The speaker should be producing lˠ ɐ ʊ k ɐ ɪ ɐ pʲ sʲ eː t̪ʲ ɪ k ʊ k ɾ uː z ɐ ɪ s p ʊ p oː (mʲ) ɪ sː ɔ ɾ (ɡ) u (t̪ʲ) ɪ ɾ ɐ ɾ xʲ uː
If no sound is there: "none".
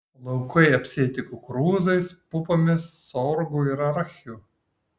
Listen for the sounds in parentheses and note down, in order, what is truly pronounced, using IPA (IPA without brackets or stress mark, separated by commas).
mʲ, ɡ, none